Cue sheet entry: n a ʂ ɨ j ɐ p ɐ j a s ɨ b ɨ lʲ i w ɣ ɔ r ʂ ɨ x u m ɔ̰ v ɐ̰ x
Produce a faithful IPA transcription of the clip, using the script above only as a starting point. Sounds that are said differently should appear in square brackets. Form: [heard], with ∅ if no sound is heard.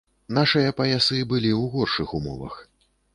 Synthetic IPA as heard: n a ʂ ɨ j ɐ p ɐ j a s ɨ b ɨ lʲ i w ɣ ɔ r ʂ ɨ x u m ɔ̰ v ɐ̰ x